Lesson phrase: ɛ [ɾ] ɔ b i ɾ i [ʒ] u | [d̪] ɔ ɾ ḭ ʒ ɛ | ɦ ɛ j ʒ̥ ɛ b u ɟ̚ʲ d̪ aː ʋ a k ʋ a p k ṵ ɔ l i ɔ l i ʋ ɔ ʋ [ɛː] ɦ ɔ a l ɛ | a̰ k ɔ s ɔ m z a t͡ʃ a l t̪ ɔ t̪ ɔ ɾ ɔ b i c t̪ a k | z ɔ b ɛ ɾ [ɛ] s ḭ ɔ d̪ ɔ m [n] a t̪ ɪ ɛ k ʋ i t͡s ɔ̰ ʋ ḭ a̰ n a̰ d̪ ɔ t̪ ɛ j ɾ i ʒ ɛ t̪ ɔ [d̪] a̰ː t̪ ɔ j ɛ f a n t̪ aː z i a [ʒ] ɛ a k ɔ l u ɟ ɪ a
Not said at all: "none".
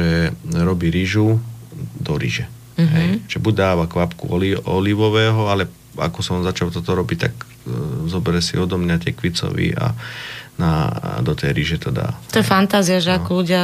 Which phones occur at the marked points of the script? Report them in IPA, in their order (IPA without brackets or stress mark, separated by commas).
ɾ, ʒ, d̪, ɛː, ɛ, ɲ, d̪, ʒ